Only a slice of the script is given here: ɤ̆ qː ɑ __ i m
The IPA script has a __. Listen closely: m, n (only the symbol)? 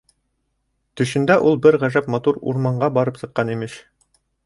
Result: n